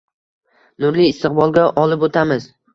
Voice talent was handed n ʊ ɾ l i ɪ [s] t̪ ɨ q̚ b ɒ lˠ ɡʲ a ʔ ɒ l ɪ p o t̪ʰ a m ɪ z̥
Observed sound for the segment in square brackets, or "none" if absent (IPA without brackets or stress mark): s